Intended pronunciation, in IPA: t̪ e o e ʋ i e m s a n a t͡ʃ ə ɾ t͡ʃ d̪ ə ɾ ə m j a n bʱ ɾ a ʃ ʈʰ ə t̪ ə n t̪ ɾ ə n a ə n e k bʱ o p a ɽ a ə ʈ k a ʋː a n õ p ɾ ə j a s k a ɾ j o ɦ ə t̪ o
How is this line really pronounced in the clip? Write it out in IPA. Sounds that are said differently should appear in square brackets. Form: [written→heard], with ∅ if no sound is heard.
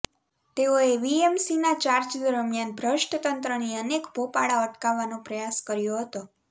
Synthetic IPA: t̪ e o e ʋ i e m s [a→i] n a t͡ʃ [ə→a] ɾ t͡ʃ d̪ ə ɾ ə m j a n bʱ ɾ [a→ə] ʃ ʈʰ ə t̪ ə n t̪ ɾ ə n [a→i] ə n e k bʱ o p a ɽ a ə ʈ k a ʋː a n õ p ɾ ə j a s k [a→ə] ɾ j o ɦ ə t̪ o